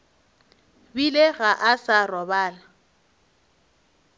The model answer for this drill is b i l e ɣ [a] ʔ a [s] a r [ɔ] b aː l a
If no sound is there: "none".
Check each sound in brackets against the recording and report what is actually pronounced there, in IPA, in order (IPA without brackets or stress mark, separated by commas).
a, s, ɔ